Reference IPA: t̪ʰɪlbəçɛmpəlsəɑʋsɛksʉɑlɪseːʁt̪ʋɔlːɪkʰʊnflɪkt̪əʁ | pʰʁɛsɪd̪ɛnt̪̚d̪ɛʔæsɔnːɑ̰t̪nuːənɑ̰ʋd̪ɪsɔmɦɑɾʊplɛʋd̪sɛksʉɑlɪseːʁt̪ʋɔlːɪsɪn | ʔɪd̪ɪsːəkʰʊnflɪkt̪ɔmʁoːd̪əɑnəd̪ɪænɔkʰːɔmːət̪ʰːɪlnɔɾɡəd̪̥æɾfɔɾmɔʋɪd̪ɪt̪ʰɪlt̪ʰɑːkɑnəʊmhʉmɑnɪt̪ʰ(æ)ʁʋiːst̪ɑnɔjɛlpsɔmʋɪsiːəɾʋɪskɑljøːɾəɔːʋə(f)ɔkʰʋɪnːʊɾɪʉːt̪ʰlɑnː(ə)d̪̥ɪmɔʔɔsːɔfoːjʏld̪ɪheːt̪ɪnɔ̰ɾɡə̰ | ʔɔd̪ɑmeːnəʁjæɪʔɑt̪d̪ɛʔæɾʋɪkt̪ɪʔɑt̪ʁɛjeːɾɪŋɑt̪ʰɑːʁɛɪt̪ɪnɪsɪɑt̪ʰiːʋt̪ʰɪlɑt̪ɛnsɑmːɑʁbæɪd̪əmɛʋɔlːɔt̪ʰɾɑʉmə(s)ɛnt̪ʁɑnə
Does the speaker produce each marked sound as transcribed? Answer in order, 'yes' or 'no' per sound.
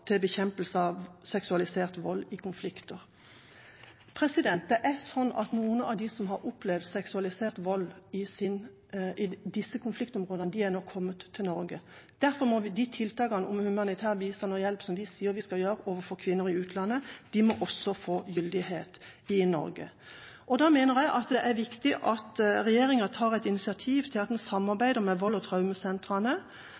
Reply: no, yes, yes, yes

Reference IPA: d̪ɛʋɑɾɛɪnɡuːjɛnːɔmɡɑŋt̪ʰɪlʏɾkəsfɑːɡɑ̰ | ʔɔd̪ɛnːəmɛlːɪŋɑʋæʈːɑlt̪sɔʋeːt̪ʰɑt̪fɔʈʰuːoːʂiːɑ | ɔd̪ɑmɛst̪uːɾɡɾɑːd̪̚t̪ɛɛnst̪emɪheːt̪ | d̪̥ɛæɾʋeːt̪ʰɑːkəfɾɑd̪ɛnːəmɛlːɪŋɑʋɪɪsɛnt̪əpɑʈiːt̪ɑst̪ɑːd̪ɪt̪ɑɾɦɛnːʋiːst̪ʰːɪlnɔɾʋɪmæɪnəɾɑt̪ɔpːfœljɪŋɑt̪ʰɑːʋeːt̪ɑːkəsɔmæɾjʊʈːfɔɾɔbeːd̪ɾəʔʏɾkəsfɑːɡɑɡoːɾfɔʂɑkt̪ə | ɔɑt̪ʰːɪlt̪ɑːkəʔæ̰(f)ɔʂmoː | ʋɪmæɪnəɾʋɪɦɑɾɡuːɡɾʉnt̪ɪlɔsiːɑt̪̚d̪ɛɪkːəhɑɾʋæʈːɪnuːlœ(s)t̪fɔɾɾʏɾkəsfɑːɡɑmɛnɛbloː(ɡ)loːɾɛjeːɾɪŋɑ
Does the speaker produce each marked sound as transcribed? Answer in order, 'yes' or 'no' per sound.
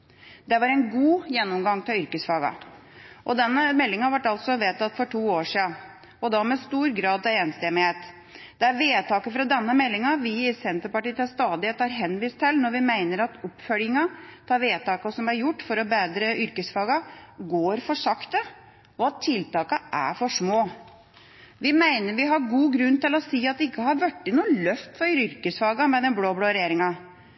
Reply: yes, no, no

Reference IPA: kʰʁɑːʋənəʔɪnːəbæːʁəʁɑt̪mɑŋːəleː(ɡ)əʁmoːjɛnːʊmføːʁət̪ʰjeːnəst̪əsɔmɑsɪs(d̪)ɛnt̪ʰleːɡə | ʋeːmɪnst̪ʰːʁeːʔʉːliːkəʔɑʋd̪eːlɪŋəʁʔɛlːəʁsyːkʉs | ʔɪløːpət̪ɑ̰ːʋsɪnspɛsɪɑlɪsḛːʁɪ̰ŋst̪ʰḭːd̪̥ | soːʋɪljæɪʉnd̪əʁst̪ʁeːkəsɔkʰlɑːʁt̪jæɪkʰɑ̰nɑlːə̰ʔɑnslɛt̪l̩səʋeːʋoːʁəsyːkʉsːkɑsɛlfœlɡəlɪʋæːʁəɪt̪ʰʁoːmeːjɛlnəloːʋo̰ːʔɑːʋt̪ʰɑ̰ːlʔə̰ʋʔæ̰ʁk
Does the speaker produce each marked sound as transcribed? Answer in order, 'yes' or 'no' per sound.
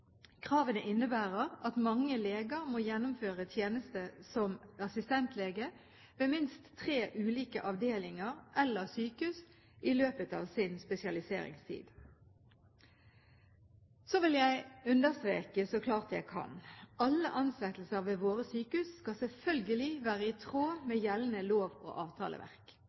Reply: yes, no

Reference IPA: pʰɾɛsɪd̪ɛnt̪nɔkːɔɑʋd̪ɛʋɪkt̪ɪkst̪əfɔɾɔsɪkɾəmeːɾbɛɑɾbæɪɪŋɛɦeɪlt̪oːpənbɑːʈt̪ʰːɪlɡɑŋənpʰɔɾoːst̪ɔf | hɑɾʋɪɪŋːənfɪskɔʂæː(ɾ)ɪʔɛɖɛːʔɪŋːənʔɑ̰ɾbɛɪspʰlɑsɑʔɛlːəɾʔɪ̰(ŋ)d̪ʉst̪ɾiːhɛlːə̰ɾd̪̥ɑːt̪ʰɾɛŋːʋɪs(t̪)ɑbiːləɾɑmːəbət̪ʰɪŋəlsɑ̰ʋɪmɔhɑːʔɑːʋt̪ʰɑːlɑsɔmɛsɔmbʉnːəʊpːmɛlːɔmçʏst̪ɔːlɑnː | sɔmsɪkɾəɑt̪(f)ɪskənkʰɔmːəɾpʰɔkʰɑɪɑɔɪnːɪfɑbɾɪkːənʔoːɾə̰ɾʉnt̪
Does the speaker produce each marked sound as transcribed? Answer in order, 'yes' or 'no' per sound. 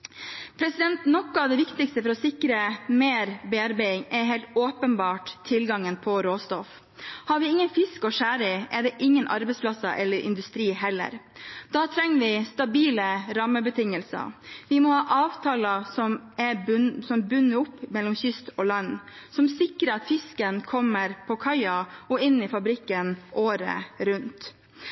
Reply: yes, no, yes, yes

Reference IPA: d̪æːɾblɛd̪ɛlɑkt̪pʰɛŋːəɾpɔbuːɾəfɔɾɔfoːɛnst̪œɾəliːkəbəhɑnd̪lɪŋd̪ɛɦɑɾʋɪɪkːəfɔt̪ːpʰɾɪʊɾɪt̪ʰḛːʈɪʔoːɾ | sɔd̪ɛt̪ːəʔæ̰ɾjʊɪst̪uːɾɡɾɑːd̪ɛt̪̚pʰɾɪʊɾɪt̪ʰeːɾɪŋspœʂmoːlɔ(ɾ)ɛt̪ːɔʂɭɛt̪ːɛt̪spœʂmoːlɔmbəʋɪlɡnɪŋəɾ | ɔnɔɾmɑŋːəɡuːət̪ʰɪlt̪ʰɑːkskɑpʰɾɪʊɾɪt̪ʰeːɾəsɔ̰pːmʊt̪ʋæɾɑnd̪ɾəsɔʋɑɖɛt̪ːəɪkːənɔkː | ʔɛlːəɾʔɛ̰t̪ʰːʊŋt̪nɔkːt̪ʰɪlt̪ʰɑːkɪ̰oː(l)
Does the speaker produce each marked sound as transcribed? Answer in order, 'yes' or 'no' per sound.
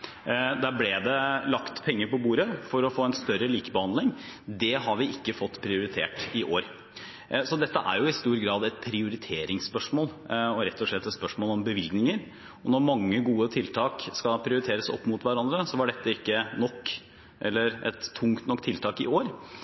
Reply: yes, no

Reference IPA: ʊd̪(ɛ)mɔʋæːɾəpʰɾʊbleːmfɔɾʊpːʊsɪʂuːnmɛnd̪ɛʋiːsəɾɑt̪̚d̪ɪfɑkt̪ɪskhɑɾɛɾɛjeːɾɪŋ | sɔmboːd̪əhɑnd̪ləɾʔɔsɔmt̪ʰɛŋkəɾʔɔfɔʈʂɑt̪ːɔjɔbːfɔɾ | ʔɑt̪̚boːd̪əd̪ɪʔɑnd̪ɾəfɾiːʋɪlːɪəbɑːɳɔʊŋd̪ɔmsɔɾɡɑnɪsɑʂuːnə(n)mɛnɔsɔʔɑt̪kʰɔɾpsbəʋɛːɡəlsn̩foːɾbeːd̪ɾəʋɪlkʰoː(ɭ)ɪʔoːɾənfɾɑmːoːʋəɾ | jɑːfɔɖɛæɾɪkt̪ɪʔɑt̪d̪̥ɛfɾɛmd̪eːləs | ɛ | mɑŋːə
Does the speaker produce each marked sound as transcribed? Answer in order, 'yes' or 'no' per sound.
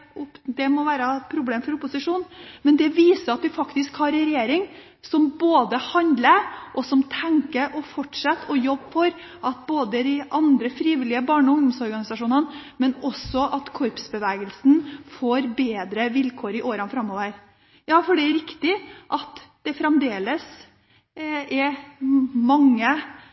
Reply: yes, yes, no

